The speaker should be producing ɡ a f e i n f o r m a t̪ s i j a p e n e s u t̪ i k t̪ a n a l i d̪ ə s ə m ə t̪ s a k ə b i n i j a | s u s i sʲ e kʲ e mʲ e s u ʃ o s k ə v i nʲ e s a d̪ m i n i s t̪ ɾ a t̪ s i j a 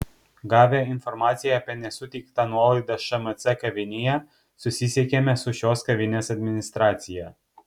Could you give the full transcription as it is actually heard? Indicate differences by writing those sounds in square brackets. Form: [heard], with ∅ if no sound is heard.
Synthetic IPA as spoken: ɡ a [v] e i n f o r m a t̪ s i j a p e n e s u t̪ i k t̪ a n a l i d̪ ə [ʃ] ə m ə t̪ s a k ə [v] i n i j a | s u s i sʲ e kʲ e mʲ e s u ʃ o s k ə v i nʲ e s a d̪ m i n i s t̪ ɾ a t̪ s i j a